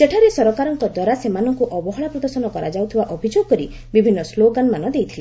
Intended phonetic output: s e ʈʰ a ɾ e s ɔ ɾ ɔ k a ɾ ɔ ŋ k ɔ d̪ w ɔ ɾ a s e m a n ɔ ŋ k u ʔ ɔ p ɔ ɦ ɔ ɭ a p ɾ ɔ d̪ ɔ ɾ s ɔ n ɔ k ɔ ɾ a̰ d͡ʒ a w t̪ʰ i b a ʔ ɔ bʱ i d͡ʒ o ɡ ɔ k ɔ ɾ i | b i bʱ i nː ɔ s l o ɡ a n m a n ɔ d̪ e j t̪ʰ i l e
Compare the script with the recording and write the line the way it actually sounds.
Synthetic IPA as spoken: s e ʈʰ a ɾ e s ɔ ɾ ɔ k a ɾ ɔ ŋ k ɔ d̪ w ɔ ɾ a s e m a n ɔ ŋ k u ʔ ɔ b ɔ ɦ ɔ ɭ a p ɾ ɔ d̪ ɔ ɾ s ɔ n ɔ k ɔ ɾ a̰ d͡ʒ a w t̪ʰ i b a ʔ ɔ bʱ i d͡ʒ o ɡ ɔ k ɔ ɾ i | b i bʱ i nː ɔ s l o ɡ a n m a n ɔ d̪ e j t̪ʰ i l e